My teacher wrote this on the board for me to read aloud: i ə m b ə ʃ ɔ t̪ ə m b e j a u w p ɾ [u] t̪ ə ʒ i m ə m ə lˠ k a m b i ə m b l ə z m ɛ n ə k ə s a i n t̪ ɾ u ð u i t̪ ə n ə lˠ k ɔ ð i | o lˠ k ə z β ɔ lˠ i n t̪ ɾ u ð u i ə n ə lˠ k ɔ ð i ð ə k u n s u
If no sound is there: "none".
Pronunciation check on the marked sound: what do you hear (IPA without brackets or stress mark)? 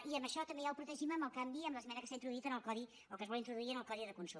u